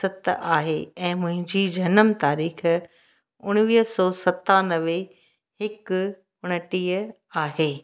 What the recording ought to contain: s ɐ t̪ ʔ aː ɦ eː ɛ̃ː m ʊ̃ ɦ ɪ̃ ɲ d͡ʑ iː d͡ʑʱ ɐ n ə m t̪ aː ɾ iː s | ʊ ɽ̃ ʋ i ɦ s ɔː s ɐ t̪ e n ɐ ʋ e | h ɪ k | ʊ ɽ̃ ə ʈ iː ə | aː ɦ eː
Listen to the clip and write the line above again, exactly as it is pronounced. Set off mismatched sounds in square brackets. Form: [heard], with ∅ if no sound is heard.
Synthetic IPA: s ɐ t̪ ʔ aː ɦ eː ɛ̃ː m ʊ̃ ɦ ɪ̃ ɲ d͡ʑ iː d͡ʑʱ ɐ n ə m t̪ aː ɾ iː [x] | ʊ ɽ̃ ʋ [iː] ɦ s ɔː s ɐ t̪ [a] n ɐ ʋ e | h ɪ k | ʊ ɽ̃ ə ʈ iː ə | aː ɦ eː